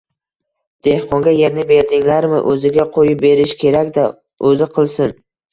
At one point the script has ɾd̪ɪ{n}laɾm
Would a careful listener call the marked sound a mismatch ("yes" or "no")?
yes